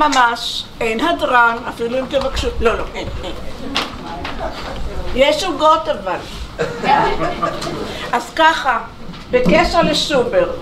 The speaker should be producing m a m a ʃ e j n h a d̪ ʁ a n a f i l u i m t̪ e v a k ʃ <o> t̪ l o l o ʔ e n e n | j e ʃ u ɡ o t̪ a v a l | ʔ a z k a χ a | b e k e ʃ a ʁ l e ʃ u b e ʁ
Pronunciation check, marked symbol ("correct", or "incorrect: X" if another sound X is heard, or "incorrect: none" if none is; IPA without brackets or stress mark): incorrect: u